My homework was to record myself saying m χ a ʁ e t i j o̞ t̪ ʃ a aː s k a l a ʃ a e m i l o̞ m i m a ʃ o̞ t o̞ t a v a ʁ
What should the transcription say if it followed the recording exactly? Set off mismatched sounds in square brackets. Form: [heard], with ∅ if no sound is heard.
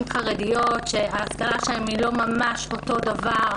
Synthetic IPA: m χ a ʁ e [d] i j o̞ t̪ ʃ [e] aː s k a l a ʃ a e m i l o̞ m [a] m a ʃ o̞ t o̞ [d] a v a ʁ

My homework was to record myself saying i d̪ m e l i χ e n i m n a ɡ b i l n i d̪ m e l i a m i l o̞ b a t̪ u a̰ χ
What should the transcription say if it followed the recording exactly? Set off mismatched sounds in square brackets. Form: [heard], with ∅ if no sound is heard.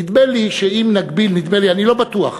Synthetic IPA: i d̪ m e l i [ʃ] e [∅] i m n a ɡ b i l n i d̪ m e l i a [n] i l o̞ b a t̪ u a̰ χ

